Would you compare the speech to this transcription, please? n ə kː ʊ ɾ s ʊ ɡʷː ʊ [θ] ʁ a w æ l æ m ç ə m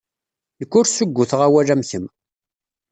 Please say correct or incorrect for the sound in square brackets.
correct